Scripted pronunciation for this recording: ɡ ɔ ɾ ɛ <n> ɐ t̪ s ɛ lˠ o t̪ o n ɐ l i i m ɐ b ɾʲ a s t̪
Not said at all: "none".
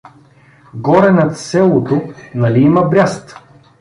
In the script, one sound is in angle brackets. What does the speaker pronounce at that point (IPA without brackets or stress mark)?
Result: n